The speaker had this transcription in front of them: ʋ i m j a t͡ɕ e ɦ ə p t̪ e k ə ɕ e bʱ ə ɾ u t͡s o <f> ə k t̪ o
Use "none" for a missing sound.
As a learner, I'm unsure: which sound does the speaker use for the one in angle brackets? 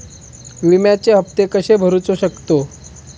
ɕ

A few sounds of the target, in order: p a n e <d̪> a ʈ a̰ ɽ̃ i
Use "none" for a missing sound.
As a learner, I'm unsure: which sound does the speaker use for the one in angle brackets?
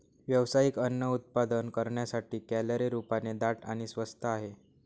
d̪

